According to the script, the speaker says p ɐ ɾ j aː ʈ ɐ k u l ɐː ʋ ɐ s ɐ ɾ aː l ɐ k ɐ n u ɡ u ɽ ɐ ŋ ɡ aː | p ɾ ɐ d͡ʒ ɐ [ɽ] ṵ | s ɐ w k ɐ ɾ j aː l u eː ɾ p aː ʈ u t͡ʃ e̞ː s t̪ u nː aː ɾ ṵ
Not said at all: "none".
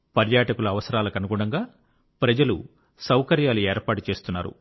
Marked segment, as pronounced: l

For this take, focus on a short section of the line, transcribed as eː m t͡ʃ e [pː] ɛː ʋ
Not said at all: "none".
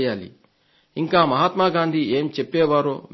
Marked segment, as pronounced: pː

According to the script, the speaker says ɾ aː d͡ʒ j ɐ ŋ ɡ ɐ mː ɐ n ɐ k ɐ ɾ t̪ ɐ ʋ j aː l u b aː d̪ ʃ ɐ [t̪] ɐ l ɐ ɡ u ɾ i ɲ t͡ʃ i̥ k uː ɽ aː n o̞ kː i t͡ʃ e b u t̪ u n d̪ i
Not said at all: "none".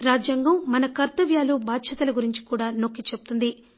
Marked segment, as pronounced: t̪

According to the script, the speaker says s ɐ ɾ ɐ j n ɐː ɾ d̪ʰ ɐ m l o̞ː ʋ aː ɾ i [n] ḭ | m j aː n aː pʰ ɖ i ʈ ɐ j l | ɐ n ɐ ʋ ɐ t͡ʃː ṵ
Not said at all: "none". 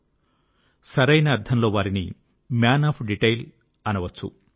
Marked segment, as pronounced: n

